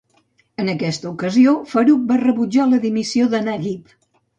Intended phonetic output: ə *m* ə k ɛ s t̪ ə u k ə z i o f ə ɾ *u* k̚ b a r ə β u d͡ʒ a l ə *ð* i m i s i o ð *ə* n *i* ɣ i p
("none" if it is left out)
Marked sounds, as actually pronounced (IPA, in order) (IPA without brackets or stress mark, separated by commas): n, u, ð, ə, a